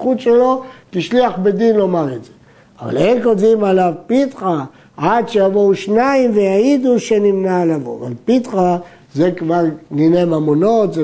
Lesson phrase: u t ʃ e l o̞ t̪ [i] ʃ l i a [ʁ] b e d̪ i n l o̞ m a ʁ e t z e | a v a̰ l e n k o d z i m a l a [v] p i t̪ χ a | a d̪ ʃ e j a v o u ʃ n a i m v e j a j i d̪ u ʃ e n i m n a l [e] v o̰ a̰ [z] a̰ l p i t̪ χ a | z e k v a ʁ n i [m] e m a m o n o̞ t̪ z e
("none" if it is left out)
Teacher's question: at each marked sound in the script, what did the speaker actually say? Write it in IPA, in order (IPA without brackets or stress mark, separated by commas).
i, χ, v, a, v, n